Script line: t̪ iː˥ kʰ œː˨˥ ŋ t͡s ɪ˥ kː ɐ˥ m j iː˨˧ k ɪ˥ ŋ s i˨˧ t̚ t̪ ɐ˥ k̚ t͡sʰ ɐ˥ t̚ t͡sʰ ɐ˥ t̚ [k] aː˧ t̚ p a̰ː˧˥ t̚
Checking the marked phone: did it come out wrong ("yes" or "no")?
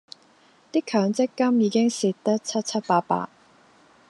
yes